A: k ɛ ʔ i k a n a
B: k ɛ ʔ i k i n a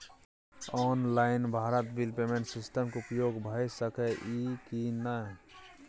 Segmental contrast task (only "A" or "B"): B